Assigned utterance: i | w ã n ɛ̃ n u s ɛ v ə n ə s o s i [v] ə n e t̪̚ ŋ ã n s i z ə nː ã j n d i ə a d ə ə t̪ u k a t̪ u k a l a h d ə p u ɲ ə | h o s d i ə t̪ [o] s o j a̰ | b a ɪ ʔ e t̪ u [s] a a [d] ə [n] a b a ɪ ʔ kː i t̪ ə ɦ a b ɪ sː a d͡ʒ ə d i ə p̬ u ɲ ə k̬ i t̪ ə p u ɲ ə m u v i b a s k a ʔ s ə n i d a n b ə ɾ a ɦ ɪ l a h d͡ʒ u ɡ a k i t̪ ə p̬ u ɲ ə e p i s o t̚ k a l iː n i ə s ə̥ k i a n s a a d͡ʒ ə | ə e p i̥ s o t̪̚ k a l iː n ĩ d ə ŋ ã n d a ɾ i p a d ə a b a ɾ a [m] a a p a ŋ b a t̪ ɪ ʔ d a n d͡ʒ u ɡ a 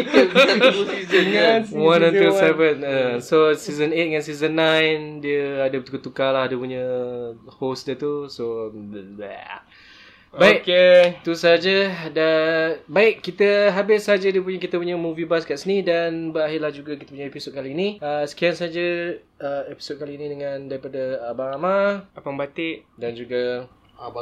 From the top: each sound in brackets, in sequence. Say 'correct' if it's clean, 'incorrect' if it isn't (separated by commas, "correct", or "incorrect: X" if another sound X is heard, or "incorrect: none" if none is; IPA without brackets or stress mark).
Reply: incorrect: z, incorrect: u, correct, incorrect: d͡ʒ, incorrect: d, correct